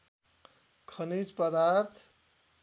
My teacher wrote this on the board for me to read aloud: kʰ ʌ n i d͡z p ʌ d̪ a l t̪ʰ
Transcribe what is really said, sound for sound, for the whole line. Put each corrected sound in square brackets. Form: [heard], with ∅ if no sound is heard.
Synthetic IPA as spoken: kʰ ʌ n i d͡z p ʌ d̪ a [ɾ] t̪ʰ